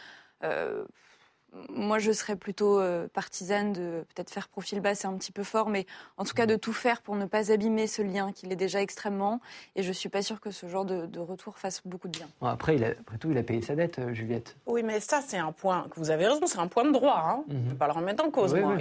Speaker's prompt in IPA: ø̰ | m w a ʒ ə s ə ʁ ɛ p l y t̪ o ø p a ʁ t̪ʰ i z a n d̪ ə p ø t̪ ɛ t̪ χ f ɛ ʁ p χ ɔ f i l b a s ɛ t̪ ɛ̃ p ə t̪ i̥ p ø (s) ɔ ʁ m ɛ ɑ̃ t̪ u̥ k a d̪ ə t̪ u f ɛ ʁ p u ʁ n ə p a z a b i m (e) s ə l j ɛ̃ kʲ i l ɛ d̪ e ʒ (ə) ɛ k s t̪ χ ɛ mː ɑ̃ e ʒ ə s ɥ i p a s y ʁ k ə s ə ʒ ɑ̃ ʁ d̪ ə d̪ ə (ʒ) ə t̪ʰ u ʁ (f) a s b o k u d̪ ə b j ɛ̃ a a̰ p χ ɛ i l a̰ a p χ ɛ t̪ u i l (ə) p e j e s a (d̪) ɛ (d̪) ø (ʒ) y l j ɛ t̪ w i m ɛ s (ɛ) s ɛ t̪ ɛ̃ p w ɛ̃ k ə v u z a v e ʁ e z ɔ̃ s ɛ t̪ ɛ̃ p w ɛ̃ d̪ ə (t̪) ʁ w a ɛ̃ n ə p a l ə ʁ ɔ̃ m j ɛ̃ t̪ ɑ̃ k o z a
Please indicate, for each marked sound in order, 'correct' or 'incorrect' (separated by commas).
incorrect, correct, incorrect, incorrect, correct, incorrect, correct, incorrect, correct, incorrect, incorrect